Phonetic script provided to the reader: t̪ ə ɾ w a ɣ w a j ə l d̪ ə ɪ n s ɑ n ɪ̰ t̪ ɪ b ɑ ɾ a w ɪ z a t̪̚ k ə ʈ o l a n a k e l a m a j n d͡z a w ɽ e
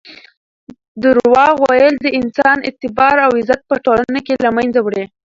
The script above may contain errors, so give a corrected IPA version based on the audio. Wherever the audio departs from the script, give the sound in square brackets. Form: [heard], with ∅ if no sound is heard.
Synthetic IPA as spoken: [d̪] ə ɾ w [ɑ] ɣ w a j ə l d̪ ə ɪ n s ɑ n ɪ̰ t̪ ɪ b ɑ ɾ a w ɪ z a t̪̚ [p] ə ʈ o l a n a k e l a m a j n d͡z a w ɽ e